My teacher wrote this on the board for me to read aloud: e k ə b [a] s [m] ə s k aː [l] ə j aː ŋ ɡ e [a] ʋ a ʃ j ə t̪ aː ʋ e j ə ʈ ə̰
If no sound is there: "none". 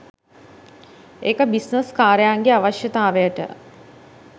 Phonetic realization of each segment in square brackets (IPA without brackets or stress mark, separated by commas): i, n, ɾ, a